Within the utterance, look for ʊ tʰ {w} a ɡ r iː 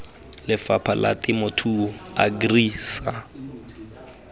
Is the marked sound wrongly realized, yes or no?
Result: yes